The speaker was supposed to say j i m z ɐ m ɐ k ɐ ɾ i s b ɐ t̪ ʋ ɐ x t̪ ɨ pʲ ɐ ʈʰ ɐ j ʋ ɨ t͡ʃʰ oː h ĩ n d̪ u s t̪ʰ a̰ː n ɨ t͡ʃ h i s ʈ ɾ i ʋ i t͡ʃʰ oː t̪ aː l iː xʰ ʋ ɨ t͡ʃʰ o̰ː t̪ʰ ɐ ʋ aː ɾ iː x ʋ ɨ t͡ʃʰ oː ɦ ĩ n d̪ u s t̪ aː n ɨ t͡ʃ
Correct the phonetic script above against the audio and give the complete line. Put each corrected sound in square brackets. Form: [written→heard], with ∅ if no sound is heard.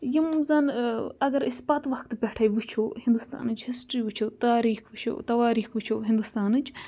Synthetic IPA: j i m z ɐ [m→n] ɐ [k→ɡ] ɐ ɾ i s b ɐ t̪ ʋ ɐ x t̪ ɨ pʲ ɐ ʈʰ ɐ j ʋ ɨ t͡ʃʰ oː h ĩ n d̪ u s [t̪ʰ→t̪] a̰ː n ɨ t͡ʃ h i s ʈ ɾ i ʋ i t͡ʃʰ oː t̪ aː [l→ɾ] iː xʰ ʋ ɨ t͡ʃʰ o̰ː [t̪ʰ→t̪] ɐ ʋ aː ɾ iː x ʋ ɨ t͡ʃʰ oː ɦ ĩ n d̪ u s t̪ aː n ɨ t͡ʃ

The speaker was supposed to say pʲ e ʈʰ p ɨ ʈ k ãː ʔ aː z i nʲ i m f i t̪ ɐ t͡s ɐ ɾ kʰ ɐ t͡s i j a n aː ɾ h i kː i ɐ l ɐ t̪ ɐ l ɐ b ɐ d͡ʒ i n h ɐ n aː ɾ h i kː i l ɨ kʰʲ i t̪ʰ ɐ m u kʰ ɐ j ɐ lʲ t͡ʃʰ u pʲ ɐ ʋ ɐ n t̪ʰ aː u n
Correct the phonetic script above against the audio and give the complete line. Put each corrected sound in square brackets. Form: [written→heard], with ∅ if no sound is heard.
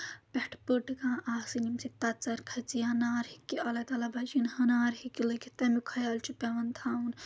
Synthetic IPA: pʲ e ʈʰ p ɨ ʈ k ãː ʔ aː [z→s] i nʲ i m [f→s] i t̪ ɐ t͡s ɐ ɾ kʰ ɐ t͡s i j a n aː ɾ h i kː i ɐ l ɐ t̪ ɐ l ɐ b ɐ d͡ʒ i n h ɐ n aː ɾ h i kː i l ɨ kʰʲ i [t̪ʰ→t̪] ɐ m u kʰ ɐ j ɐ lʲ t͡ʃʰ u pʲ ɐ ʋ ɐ n t̪ʰ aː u n

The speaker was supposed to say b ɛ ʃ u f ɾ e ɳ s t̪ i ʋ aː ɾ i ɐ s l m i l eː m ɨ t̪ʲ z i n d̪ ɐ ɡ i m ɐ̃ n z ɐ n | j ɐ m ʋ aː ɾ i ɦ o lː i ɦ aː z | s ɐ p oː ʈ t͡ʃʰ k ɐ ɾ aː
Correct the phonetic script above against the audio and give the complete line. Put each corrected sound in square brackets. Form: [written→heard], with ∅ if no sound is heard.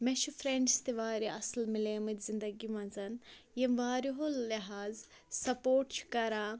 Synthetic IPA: [b→m] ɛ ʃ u f ɾ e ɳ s t̪ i ʋ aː ɾ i ɐ s l m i l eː m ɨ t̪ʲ z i n d̪ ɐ ɡ i m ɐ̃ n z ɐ n | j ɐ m ʋ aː ɾ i ɦ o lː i ɦ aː z | s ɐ p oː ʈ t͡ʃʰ k ɐ ɾ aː

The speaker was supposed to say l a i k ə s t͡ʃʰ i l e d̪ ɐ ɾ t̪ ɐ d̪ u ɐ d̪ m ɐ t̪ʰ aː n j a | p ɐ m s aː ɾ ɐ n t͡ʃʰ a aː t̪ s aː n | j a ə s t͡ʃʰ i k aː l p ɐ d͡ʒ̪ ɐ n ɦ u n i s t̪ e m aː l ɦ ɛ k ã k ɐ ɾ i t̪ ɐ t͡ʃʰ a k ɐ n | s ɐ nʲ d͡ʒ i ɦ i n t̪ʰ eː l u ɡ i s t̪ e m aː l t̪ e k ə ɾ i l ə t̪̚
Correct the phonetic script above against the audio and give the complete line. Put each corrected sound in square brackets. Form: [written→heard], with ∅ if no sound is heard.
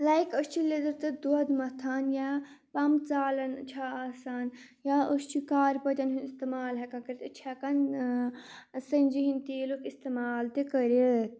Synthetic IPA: l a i k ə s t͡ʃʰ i l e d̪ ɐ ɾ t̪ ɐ d̪ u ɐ d̪ m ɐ t̪ʰ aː n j a | p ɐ m [s→t͡s] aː [ɾ→l] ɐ n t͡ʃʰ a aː [t̪→∅] s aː n | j a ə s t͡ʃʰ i k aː [l→ɾ] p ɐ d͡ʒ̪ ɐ n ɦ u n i s t̪ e m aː l ɦ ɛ k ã k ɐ ɾ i t̪ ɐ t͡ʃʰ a k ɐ n | s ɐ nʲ d͡ʒ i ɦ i n [t̪ʰ→t̪] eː l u [ɡ→k] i s t̪ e m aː l t̪ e k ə ɾ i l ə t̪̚

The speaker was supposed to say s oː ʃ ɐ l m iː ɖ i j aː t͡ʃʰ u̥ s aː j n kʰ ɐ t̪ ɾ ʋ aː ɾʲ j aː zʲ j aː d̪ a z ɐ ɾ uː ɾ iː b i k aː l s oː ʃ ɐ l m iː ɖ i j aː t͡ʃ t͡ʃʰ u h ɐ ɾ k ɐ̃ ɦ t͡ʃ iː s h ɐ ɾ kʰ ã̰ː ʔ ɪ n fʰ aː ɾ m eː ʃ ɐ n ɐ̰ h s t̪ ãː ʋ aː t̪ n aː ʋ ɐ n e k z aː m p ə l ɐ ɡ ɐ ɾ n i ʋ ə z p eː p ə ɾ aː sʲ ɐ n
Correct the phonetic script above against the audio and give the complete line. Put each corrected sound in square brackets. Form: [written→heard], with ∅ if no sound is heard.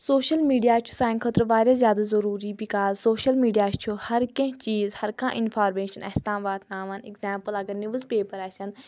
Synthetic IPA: s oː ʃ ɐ l m iː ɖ i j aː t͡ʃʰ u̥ s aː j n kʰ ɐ t̪ ɾ ʋ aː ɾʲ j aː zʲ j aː d̪ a z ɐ ɾ uː ɾ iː b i k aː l s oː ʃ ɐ l m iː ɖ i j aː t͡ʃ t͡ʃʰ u h ɐ ɾ k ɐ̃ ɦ t͡ʃ iː [s→z] h ɐ ɾ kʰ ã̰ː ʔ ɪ n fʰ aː ɾ m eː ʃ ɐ n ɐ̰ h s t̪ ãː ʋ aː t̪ n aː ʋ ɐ n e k z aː m p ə l ɐ ɡ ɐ ɾ n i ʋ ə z p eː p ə ɾ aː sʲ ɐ n

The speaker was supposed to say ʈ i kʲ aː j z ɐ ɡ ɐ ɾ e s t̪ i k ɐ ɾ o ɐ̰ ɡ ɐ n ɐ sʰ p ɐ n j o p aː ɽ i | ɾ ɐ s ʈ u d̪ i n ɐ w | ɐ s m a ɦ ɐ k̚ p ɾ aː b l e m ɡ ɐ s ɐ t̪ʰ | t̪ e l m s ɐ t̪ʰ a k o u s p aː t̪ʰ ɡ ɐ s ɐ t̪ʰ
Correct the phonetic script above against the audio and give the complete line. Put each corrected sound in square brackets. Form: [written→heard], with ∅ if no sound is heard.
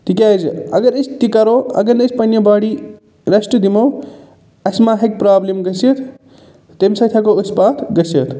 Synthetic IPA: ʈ i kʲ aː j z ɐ ɡ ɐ ɾ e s t̪ i k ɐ ɾ o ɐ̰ ɡ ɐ n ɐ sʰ p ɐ n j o [p→b] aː ɽ i | ɾ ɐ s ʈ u d̪ i [n→m] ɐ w | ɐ s m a ɦ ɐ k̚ p ɾ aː b l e m ɡ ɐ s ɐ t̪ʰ | t̪ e [l→∅] m s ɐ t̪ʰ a k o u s p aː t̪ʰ ɡ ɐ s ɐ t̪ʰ

